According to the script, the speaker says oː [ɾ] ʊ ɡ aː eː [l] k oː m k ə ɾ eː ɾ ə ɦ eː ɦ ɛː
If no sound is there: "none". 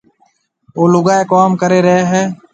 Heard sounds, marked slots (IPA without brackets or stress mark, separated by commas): l, none